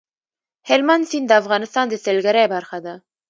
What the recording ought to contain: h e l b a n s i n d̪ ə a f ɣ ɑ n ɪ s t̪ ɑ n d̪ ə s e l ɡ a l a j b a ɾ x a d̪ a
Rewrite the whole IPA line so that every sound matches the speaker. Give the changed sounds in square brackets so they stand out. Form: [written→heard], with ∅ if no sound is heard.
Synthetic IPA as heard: h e l [b→m] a n s i n d̪ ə a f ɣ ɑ n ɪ s t̪ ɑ n d̪ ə s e l ɡ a [l→ɾ] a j b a ɾ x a d̪ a